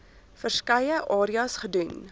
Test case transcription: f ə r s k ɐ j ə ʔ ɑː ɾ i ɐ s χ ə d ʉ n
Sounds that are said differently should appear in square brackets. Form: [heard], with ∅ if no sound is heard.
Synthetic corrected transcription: f ə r s k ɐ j ə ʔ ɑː ɾ i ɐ s χ ə d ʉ n